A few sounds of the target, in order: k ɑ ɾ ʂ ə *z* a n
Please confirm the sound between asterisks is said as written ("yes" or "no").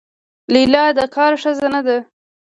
yes